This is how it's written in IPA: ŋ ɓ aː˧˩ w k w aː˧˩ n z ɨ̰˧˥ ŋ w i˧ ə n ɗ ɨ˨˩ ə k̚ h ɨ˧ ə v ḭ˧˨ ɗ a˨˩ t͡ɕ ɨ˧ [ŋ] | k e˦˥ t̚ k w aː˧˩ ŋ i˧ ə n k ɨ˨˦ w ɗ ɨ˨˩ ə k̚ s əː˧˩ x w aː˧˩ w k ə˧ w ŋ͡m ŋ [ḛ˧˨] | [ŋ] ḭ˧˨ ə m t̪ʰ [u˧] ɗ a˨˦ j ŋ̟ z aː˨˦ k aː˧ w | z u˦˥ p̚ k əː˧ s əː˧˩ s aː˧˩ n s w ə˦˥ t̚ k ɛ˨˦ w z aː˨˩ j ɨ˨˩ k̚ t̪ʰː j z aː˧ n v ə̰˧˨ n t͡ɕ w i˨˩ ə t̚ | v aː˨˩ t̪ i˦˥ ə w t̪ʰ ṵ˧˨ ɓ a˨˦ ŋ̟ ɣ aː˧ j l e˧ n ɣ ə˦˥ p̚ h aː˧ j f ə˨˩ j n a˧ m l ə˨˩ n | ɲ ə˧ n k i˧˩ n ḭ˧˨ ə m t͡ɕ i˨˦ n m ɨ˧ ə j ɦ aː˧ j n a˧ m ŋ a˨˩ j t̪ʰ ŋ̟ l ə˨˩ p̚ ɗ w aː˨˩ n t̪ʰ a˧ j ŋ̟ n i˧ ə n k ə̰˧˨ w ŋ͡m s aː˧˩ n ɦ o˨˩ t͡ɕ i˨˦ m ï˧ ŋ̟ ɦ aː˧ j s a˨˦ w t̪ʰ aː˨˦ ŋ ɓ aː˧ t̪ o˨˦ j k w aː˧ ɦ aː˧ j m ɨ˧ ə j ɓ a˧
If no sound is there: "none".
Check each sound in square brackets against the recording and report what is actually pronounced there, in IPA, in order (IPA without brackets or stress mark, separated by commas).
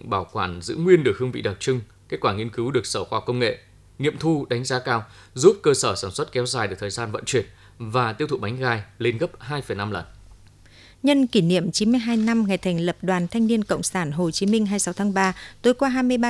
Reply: ŋ, ḛ˧˨, ŋ, u˧